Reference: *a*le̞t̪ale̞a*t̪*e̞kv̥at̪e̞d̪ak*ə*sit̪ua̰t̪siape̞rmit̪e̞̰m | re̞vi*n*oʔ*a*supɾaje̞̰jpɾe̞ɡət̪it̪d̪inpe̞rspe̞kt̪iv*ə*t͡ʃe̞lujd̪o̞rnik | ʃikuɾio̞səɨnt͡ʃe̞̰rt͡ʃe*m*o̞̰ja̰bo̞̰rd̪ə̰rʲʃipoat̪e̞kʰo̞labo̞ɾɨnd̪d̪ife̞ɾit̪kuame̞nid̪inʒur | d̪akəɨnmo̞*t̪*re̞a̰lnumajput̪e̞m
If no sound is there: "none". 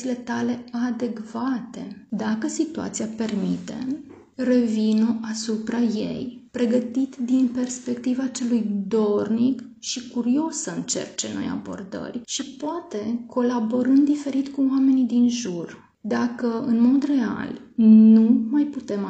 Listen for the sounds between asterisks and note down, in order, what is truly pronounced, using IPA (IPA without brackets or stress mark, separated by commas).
i, d̪, ə, n, a, a, n, d̪